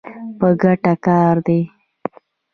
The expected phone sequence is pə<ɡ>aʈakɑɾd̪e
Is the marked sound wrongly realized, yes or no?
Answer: no